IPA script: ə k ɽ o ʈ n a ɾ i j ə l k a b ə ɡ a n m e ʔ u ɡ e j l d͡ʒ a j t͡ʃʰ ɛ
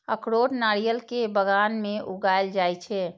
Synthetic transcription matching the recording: ə k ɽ o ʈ n a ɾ i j ə l k e b ə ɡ a n m e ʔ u ɡ a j l d͡ʒ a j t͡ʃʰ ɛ